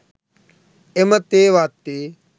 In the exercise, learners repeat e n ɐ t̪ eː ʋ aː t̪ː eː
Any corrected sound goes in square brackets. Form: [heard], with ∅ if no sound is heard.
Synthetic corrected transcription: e [m] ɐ t̪ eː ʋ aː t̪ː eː

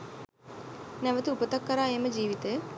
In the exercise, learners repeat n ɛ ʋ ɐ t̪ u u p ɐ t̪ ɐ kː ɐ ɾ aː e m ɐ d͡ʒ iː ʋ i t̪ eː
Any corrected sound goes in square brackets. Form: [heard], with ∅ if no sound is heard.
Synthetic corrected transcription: n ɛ ʋ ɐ t̪ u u p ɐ t̪ ɐ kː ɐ ɾ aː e m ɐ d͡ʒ iː ʋ i t̪ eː

